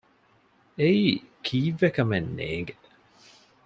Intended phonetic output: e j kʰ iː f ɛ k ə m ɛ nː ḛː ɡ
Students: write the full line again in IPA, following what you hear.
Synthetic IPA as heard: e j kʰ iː v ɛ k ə m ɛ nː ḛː ɡ